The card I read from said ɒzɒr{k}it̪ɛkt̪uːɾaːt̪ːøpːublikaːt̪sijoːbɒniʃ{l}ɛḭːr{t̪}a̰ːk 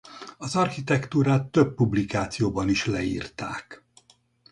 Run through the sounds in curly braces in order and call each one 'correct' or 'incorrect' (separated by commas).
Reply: incorrect, correct, correct